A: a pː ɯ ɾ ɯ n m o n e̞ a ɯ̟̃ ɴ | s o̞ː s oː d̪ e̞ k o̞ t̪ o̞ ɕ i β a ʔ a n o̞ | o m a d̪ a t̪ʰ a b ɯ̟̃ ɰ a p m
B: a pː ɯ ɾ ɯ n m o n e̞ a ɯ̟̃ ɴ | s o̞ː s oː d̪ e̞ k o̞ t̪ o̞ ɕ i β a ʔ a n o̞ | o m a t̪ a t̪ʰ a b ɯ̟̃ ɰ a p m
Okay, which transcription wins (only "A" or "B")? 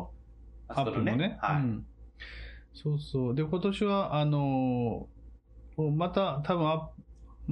B